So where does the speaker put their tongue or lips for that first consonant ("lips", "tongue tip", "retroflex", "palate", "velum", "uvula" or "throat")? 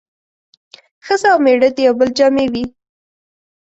velum